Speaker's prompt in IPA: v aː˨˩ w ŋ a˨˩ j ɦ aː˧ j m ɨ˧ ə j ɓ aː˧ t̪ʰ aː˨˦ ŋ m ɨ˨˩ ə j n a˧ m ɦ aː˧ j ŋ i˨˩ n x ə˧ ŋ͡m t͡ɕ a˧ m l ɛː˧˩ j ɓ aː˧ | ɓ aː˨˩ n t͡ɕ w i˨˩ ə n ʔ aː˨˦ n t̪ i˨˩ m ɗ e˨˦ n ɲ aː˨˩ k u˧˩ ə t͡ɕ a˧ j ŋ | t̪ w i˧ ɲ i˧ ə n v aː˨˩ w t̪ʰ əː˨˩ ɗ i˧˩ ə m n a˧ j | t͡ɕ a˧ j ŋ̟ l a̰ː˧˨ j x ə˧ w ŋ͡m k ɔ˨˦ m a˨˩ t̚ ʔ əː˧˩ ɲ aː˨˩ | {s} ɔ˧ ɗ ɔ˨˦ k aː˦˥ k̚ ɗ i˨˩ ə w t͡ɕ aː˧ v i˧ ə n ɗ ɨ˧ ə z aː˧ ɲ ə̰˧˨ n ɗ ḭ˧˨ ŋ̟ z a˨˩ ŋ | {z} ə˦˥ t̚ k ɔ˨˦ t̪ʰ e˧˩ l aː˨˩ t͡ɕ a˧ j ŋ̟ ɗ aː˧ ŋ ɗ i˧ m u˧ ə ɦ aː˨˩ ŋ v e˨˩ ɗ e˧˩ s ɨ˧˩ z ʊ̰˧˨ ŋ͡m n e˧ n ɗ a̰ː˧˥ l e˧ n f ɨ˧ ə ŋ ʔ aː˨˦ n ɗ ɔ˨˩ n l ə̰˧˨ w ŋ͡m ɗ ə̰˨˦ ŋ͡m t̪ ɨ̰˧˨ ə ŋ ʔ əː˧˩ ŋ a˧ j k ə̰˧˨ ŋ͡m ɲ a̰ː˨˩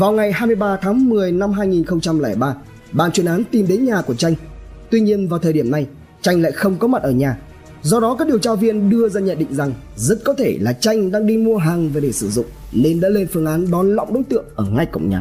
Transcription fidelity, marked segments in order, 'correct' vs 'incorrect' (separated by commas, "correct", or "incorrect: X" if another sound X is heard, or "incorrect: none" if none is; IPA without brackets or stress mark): incorrect: z, correct